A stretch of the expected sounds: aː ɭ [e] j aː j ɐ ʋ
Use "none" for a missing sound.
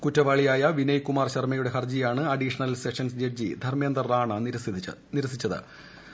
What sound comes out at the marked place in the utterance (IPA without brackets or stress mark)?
i